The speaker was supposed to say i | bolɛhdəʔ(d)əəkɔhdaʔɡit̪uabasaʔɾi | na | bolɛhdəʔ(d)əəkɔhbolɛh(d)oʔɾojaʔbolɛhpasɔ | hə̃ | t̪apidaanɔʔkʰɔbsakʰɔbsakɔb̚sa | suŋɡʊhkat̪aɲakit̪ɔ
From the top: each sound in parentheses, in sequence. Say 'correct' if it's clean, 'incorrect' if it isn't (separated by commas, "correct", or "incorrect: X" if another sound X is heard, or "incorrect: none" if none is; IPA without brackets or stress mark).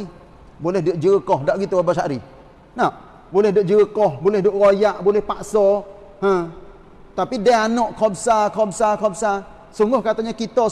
incorrect: d͡ʒ, incorrect: d͡ʒ, correct